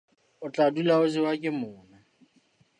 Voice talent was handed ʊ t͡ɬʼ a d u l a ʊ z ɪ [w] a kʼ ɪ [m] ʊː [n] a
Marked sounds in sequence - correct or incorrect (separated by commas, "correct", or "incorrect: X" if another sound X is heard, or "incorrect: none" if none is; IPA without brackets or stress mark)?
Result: correct, correct, correct